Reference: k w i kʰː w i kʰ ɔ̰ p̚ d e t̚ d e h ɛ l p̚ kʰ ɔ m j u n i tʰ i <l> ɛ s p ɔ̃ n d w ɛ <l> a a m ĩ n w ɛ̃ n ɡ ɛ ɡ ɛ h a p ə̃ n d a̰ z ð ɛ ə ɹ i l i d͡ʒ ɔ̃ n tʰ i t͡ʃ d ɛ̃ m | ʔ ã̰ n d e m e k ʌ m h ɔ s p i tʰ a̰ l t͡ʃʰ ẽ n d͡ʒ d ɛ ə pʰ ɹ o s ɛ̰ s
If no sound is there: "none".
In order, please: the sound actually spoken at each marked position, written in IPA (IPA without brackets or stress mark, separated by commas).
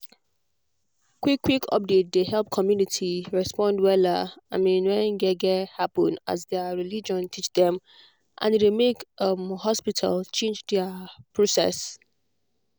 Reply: ɹ, l